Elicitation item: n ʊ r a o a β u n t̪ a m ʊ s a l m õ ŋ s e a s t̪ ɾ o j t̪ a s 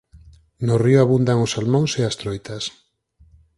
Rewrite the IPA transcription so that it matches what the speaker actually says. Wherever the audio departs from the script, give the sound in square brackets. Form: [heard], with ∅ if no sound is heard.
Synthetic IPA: n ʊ r [i] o a β u n [d̪] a [ŋ] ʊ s a l m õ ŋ s e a s t̪ ɾ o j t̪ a s